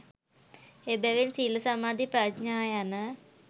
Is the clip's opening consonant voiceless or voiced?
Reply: voiced